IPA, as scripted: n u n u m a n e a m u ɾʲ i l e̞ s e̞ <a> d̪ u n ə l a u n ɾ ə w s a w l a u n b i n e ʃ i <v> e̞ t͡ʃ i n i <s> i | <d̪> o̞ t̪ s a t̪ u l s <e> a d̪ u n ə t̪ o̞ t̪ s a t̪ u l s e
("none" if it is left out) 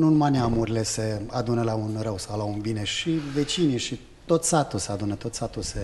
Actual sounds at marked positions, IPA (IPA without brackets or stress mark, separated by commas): a, v, ʃ, t̪, e